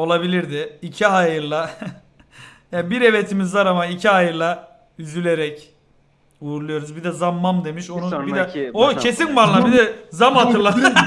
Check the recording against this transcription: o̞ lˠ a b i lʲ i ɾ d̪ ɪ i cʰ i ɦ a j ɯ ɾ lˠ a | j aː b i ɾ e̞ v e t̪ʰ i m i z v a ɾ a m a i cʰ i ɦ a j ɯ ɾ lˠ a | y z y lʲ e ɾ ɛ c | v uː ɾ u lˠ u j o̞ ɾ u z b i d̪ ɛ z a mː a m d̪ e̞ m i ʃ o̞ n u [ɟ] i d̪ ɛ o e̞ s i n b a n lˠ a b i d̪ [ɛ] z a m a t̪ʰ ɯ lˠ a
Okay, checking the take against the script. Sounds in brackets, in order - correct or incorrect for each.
incorrect, correct

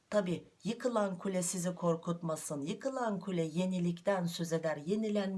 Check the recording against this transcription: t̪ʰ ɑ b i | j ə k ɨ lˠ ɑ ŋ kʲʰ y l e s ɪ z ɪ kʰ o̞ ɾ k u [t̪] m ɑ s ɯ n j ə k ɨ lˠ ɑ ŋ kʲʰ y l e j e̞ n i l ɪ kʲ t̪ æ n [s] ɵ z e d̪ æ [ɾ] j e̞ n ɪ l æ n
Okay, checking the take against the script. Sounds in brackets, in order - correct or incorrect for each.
correct, correct, correct

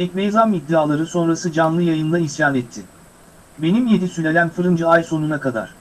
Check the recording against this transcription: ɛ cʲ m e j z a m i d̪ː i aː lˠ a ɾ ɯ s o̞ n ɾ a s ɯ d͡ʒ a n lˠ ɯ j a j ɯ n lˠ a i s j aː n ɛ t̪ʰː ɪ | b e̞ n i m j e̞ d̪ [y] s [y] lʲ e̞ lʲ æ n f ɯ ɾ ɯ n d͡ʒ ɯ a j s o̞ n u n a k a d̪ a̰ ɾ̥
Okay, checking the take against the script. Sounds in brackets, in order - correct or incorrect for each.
incorrect, correct

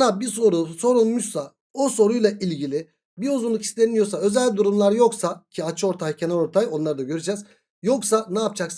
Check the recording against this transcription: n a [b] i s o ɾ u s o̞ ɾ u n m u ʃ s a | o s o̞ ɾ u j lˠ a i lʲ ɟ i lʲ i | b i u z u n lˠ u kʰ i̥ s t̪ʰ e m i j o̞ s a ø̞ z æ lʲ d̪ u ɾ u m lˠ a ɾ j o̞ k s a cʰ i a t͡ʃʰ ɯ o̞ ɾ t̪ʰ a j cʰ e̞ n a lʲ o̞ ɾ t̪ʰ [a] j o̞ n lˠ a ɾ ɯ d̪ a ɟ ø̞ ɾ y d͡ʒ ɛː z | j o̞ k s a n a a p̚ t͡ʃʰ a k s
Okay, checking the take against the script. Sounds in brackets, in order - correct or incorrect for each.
correct, correct

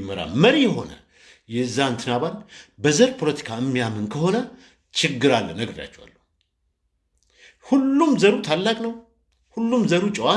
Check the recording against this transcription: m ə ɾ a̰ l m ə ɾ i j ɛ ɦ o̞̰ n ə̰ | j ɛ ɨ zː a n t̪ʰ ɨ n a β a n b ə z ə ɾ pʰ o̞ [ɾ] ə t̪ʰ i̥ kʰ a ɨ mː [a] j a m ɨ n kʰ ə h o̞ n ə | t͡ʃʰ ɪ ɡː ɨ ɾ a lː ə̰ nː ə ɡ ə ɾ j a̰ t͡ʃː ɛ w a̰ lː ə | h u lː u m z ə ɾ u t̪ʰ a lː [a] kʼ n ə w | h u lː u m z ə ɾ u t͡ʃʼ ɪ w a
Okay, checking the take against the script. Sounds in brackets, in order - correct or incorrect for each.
incorrect, incorrect, correct

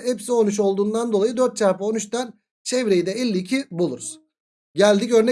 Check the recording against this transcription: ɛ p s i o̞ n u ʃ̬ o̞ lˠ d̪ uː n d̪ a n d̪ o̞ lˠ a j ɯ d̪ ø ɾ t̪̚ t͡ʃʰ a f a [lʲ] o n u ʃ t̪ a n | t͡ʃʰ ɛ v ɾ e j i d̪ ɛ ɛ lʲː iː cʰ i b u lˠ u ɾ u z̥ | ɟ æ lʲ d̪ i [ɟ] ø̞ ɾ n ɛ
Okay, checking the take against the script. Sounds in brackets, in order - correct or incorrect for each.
incorrect, incorrect

